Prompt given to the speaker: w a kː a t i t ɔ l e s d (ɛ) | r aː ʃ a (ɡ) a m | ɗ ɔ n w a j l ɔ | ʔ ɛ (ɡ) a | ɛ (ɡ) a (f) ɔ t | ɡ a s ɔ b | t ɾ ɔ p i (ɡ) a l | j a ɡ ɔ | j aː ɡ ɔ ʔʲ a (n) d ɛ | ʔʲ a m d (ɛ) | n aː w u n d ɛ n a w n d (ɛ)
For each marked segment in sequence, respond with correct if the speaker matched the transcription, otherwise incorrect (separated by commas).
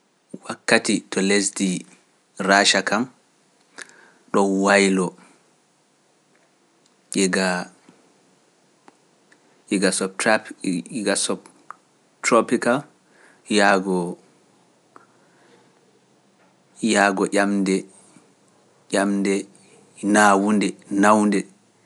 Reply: incorrect, incorrect, correct, correct, incorrect, incorrect, incorrect, correct, correct